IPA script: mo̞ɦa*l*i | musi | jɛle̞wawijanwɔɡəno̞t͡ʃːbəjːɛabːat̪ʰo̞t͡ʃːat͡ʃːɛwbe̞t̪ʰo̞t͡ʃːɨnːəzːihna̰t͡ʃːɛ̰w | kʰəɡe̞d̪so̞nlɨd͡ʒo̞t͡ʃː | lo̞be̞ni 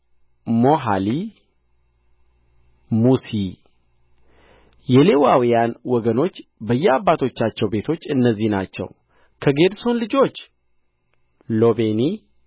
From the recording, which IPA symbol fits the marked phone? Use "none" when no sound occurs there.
l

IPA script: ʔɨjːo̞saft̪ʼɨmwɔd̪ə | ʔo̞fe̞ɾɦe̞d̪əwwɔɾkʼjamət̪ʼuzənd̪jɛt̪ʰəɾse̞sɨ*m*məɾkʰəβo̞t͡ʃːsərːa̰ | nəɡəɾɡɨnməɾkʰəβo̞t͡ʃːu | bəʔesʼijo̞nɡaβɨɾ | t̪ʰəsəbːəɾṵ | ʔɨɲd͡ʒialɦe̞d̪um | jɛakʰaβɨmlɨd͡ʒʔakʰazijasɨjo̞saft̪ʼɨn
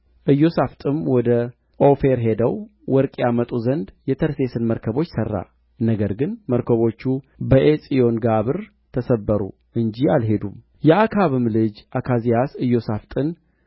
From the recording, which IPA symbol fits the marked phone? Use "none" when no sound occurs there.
n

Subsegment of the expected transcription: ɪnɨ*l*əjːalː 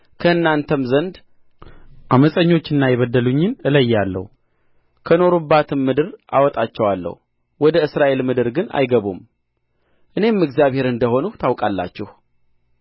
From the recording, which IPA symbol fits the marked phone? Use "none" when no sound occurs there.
l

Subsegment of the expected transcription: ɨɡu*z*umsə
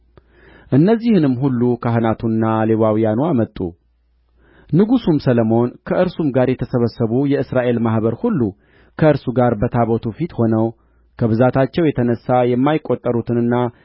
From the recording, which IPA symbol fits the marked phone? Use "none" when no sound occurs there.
s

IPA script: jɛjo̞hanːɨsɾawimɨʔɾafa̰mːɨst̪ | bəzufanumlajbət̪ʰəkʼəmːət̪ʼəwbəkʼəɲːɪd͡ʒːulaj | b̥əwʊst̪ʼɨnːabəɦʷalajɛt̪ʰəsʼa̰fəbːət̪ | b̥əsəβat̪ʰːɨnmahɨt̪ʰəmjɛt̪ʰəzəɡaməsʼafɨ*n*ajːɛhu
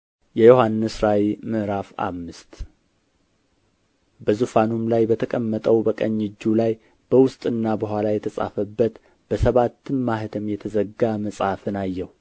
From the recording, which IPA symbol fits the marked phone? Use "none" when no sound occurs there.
n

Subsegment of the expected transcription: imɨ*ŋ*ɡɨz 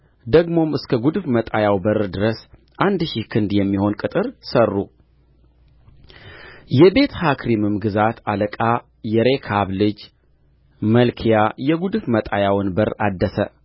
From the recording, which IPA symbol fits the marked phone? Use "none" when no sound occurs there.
m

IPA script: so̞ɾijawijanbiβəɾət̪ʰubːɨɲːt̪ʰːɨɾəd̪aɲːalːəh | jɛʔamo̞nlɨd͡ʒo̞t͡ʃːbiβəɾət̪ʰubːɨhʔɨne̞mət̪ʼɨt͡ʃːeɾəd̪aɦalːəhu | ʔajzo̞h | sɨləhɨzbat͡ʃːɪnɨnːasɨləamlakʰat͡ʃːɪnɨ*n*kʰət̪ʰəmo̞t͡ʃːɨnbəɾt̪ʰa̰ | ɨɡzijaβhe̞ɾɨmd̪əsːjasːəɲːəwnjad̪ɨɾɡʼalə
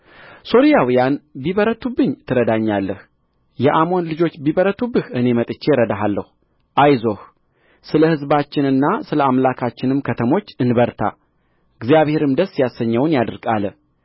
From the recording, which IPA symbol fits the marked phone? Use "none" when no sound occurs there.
m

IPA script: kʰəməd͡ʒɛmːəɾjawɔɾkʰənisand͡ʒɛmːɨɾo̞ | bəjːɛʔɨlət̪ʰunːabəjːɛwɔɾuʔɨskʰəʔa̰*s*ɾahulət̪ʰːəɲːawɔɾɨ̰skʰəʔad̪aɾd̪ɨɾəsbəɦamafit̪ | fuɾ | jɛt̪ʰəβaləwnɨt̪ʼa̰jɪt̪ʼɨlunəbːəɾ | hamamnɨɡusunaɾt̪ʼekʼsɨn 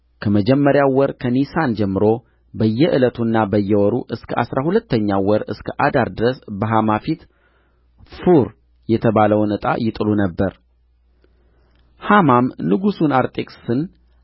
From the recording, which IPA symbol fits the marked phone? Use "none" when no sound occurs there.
s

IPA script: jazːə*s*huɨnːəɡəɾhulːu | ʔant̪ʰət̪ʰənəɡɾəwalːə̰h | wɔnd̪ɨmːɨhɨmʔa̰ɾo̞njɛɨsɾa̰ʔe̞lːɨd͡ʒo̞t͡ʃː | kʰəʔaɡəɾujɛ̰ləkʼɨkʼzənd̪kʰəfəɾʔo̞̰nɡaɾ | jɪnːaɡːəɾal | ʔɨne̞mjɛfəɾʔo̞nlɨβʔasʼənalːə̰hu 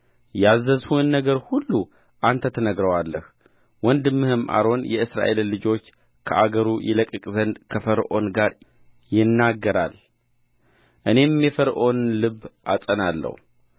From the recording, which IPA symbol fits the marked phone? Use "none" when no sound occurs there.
z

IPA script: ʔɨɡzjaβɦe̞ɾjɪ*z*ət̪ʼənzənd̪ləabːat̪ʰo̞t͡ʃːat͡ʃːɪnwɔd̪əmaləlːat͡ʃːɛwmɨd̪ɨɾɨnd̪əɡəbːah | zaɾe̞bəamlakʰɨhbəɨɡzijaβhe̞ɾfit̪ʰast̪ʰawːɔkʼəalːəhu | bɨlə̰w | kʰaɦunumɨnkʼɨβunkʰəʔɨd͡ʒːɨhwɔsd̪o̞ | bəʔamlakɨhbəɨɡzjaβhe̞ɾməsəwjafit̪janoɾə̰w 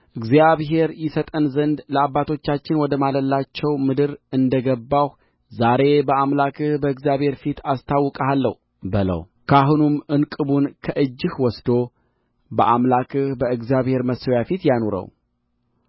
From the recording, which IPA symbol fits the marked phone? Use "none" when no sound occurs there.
s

